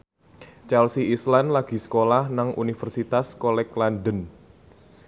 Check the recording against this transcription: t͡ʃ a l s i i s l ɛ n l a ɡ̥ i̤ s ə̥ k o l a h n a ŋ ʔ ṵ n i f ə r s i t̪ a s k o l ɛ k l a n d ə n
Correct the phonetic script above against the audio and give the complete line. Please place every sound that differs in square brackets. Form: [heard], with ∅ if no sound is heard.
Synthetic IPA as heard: t͡ʃ a l s i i s l [a] n l a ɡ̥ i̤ s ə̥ k o l a h n a ŋ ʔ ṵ n i f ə r s i t̪ a s k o l ɛ k l a n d ə n